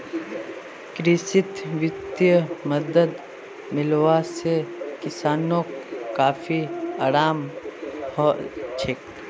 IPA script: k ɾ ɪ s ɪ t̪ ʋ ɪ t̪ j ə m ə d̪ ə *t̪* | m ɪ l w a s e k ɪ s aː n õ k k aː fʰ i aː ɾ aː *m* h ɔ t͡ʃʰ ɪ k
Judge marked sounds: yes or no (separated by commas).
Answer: no, yes